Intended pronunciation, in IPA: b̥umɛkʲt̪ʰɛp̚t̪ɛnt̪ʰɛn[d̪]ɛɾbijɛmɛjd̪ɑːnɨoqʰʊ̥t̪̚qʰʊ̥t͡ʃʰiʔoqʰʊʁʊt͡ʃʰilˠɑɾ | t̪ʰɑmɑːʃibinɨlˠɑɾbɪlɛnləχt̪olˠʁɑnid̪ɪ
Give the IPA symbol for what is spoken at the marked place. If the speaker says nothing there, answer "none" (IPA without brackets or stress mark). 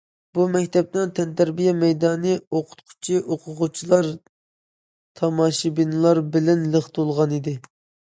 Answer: t̪